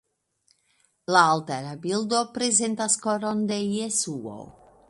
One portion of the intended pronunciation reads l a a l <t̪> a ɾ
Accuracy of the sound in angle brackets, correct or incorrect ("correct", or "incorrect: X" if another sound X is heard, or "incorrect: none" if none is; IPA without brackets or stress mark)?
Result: correct